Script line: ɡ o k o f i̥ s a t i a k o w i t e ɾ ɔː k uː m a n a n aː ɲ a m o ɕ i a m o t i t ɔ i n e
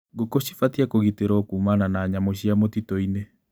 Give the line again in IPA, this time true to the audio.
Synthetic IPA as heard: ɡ o k o ɕ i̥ f a t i a k o ɣ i t e ɾ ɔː k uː m a n a n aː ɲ a m o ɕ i a m o t i t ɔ i n e